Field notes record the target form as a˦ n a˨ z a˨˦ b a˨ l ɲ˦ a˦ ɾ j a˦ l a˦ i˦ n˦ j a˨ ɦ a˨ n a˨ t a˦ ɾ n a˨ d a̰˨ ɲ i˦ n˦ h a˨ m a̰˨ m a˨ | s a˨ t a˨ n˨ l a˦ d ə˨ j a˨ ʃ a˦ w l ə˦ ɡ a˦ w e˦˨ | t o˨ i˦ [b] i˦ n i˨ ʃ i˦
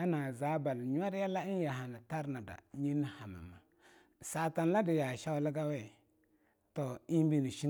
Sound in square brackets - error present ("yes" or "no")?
no